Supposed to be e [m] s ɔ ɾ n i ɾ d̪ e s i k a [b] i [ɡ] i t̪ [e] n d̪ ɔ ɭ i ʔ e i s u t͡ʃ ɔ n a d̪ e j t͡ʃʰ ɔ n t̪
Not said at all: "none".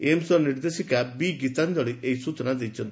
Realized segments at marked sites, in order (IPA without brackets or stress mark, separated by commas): m, b, ɡ, a